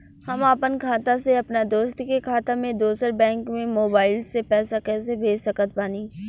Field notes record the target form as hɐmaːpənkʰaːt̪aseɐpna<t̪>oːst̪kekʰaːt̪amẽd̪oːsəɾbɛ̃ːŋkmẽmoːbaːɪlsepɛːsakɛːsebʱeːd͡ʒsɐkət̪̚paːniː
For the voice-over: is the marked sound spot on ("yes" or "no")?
no